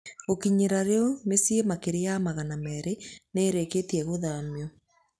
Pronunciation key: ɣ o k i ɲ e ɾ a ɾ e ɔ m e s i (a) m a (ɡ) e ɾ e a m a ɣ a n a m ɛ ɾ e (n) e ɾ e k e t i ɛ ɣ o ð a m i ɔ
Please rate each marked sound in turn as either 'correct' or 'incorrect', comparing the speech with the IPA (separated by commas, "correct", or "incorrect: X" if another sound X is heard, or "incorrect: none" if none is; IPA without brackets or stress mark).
incorrect: e, incorrect: k, correct